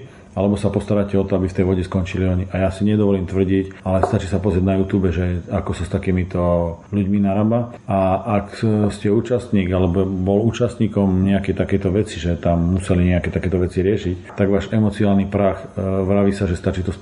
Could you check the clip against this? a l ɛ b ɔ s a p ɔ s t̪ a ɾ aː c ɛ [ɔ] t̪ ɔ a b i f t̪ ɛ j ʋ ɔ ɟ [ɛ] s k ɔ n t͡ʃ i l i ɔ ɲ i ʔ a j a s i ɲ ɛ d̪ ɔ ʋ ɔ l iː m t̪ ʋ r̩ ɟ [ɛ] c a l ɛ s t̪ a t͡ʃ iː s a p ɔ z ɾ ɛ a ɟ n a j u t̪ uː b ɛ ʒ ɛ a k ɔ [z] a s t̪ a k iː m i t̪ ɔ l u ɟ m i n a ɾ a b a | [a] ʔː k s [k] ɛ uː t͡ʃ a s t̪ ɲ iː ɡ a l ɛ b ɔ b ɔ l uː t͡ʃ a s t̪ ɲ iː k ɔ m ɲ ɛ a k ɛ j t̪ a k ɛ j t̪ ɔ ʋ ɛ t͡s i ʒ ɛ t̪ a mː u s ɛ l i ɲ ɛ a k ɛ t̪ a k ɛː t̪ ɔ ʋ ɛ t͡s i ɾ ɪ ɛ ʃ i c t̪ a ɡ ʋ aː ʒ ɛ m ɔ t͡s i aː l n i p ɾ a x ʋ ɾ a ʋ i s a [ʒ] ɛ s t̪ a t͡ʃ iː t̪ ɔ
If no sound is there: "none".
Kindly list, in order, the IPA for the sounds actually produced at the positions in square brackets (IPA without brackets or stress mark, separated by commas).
ɔ, ɛ, i, s, a, c, ʒ